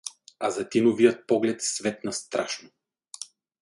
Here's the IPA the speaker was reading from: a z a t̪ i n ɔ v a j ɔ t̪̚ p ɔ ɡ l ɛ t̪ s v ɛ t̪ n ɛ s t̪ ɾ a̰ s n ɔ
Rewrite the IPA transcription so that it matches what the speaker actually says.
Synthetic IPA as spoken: a z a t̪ i n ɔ v i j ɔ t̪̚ p ɔ ɡ l ɛ t̪ s v ɛ t̪ n a s t̪ ɾ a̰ ʃ n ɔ